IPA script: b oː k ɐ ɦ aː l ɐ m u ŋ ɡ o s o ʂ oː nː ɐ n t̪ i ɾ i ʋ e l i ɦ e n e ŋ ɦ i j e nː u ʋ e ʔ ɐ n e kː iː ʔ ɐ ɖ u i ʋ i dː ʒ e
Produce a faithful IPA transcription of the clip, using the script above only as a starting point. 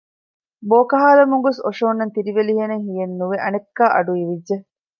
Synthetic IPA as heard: b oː k ɐ ɦ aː l ɐ m u ŋ ɡ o s o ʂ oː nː ɐ n t̪ i ɾ i ʋ e l i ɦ e n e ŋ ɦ i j e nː u ʋ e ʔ ɐ n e kː aː ʔ ɐ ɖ u i ʋ i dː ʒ e